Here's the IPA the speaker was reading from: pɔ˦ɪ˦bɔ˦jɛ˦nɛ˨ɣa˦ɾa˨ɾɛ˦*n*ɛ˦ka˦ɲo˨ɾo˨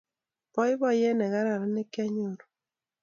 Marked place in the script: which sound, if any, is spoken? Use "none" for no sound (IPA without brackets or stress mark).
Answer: n